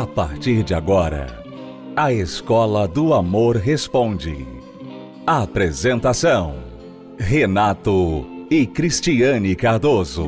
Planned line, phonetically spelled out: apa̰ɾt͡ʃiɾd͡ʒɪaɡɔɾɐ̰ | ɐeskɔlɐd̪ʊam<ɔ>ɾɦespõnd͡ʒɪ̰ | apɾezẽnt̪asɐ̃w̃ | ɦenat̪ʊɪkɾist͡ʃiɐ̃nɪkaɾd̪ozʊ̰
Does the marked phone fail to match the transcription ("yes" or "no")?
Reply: yes